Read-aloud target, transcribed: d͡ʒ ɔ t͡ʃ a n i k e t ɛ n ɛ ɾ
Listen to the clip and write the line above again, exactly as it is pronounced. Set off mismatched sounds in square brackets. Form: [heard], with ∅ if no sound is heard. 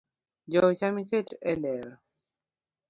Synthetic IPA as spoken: d͡ʒ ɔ t͡ʃ a [m] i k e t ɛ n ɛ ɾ